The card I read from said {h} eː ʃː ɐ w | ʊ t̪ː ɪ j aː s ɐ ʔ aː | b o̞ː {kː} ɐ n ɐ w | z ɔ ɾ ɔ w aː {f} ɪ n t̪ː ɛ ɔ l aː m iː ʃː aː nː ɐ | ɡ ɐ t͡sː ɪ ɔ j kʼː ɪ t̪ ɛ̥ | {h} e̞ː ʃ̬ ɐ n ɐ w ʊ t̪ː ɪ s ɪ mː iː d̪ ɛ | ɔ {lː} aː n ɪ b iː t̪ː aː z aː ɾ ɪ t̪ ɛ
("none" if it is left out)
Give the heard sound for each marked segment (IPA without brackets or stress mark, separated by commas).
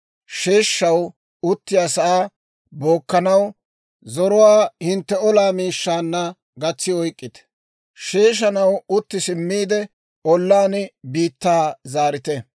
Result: ʃ, kː, h, ʃ, lː